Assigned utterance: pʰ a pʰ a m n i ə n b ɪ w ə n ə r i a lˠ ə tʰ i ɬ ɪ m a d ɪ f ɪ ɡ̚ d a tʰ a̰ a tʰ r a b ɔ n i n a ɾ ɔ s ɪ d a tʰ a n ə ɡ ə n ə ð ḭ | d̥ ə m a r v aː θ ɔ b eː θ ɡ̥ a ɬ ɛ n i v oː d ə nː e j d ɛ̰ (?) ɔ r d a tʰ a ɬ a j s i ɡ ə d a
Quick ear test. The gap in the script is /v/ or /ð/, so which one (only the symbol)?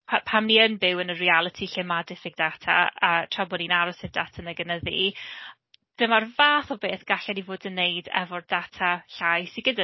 v